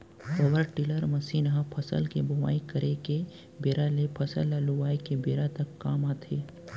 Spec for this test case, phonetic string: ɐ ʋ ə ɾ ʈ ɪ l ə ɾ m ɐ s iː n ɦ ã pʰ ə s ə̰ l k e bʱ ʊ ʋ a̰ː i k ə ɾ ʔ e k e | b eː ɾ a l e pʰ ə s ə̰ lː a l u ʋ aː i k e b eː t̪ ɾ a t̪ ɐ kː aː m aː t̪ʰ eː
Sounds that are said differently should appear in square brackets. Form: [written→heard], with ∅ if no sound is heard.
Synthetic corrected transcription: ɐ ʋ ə ɾ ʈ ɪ l ə ɾ m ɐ s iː n ɦ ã pʰ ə s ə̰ l k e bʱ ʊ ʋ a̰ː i k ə ɾ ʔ e k e | b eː ɾ a l e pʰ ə s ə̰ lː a l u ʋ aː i k e b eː [t̪→∅] ɾ a t̪ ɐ kː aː m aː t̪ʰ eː

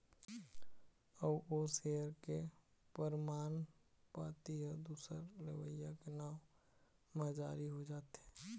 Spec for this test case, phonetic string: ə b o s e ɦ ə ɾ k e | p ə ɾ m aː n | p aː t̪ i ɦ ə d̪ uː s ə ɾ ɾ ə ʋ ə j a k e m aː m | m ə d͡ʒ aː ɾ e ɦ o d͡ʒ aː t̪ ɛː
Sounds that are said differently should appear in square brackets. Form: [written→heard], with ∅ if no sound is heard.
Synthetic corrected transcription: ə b o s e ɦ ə ɾ k e | p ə ɾ m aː n | p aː t̪ i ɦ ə d̪ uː s ə ɾ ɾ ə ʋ ə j a k e [m→n] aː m | m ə d͡ʒ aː ɾ [e→i] ɦ o d͡ʒ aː t̪ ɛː

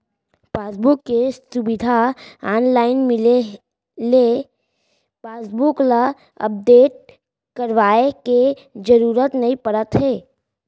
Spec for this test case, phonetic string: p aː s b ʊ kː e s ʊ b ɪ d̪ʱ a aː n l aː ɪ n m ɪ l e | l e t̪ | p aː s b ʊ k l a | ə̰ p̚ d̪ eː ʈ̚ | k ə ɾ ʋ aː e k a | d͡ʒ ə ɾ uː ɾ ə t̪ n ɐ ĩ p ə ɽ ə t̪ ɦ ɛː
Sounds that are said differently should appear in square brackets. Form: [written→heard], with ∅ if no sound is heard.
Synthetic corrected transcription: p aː s b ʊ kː e s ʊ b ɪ d̪ʱ a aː n l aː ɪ n m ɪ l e | l e [t̪→∅] | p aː s b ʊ k l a | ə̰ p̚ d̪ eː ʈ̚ | k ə ɾ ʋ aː e k [a→e] | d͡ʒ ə ɾ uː ɾ ə t̪ n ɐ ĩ p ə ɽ ə t̪ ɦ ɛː

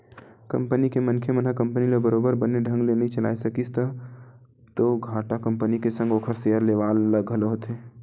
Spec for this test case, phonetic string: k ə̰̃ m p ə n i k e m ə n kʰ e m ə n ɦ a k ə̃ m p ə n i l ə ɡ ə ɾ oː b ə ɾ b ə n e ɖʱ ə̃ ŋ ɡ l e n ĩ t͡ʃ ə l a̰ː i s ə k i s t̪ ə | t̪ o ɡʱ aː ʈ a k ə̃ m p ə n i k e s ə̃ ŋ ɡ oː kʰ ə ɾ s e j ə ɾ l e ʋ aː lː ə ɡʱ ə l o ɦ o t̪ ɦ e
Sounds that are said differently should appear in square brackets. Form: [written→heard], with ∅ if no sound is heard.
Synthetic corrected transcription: k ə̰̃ m p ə n i k e m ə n kʰ e m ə n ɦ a k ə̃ m p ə n i l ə [ɡ→b] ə ɾ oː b ə ɾ b ə n e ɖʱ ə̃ ŋ ɡ l e n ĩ t͡ʃ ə l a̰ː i s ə k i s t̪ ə | t̪ o ɡʱ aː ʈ a k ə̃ m p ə n i k e s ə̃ ŋ ɡ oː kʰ ə ɾ s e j ə ɾ l e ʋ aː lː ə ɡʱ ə l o ɦ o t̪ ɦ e

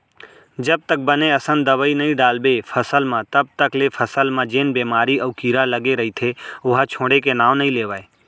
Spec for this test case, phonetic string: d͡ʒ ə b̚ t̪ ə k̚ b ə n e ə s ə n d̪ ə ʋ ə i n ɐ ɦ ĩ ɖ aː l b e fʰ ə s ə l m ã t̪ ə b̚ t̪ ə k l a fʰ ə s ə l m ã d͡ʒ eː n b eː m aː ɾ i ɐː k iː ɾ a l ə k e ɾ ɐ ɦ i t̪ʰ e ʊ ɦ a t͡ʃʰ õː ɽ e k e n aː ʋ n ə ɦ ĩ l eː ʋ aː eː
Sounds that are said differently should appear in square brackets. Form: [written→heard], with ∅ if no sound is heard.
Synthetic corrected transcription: d͡ʒ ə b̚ t̪ ə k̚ b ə n e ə s ə n d̪ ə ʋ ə i n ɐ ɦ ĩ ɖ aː l b e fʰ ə s ə l m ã t̪ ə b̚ t̪ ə k l [a→e] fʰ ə s ə l m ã d͡ʒ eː n b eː m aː ɾ i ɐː k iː ɾ a l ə [k→ɡ] e ɾ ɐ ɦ i t̪ʰ e ʊ ɦ a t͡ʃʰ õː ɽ e k e n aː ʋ n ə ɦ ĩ l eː ʋ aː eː

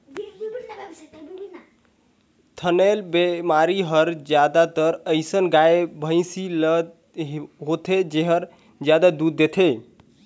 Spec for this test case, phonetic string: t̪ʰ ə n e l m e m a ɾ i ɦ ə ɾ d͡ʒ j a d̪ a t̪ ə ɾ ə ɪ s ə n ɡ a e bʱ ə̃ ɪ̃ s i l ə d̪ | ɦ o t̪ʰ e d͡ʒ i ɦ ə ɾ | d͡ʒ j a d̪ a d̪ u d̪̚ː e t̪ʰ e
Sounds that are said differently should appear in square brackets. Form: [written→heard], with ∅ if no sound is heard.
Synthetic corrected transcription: t̪ʰ ə n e l [m→b] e m a ɾ i ɦ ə ɾ d͡ʒ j a d̪ a t̪ ə ɾ ə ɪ s ə n ɡ a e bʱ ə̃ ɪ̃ s i l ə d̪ | ɦ o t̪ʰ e d͡ʒ [i→e] ɦ ə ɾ | d͡ʒ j a d̪ a d̪ u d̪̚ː e t̪ʰ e

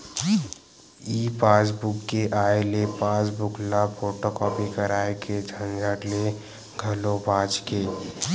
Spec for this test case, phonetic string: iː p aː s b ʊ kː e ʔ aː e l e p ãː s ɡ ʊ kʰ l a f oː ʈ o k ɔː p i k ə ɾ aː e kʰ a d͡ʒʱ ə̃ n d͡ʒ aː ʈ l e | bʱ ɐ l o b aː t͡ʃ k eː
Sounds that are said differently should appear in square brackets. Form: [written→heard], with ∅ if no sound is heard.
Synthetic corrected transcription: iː p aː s b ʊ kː e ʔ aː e l e p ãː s [ɡ→b] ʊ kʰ l a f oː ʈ o k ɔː p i k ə ɾ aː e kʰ [a→e] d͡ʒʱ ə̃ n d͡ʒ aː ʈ l e | [bʱ→ɡʱ] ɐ l o b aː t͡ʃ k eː

